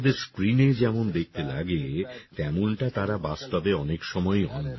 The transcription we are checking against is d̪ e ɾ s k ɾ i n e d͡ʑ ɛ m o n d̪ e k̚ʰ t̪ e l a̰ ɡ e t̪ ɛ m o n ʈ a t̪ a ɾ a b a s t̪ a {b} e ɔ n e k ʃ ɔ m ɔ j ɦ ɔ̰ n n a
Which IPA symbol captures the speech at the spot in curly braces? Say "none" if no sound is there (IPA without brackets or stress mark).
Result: b